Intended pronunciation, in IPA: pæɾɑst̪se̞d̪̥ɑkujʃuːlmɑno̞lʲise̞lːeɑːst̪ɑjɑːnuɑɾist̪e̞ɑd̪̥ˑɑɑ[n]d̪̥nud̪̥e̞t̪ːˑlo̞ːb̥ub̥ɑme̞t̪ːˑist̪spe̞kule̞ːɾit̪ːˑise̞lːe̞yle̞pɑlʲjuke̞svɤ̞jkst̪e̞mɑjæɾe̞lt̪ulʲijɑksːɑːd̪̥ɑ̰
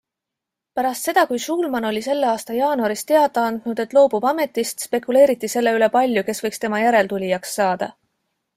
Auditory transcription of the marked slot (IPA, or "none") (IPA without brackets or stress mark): n